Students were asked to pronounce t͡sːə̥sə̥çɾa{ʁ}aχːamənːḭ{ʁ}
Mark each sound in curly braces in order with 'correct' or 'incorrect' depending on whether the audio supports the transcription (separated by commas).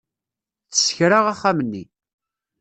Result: correct, incorrect